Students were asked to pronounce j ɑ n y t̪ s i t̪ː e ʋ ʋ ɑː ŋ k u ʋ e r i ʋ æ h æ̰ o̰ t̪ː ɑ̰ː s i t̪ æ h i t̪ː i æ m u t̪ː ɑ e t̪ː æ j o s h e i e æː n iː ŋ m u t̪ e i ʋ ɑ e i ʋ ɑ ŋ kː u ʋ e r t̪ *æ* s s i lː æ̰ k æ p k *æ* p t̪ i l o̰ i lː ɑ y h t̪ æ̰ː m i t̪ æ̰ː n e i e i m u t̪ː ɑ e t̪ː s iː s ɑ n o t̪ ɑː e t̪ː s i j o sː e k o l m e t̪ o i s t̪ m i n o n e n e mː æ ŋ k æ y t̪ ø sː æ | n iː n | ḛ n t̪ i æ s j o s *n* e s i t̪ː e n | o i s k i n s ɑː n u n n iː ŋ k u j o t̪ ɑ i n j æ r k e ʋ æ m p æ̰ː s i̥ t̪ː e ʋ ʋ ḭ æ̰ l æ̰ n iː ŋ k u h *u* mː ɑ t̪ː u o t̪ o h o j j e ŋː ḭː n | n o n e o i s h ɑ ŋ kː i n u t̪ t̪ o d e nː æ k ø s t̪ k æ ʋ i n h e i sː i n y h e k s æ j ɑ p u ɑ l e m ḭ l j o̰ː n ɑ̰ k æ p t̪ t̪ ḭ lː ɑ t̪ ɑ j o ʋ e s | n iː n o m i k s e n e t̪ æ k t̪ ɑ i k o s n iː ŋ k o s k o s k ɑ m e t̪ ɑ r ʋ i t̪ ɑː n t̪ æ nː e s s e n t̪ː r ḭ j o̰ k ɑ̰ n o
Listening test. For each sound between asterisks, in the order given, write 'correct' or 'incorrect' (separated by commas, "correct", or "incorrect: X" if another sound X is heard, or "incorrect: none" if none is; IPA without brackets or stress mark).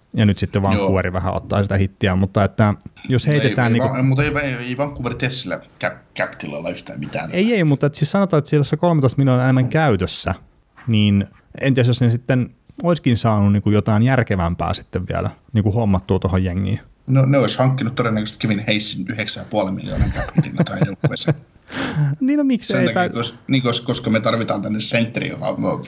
incorrect: e, correct, correct, incorrect: o